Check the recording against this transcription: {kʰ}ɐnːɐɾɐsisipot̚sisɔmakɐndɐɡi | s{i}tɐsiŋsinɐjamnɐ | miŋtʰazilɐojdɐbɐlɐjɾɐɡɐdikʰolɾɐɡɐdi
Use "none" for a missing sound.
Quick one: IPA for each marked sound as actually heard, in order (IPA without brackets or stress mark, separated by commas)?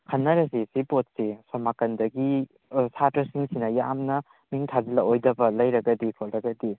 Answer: kʰ, a